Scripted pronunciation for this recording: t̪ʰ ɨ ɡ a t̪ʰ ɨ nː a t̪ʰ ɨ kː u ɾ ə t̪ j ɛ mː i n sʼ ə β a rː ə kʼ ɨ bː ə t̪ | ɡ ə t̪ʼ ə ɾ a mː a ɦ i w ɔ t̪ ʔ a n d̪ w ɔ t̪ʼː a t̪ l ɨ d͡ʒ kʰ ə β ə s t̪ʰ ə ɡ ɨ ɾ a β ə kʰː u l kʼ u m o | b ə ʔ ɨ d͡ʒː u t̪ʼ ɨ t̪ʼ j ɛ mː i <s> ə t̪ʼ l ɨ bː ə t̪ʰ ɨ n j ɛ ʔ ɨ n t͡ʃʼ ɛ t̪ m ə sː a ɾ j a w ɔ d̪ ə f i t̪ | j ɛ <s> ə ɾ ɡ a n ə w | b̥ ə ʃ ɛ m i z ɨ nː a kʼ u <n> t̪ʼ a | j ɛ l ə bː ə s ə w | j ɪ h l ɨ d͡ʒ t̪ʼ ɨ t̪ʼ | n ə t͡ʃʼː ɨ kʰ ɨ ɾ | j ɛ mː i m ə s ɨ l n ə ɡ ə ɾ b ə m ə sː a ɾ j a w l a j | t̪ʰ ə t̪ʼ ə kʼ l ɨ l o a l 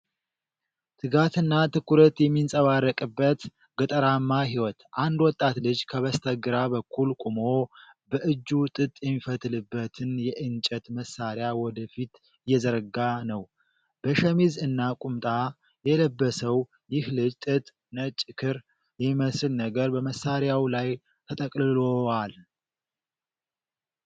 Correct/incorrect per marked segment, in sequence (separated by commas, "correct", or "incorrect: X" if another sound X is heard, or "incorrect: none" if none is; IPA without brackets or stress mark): incorrect: f, incorrect: z, incorrect: m